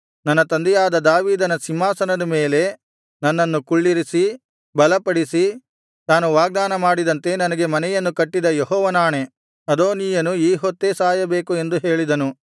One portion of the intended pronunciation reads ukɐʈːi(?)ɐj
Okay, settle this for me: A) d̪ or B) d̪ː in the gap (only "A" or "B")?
A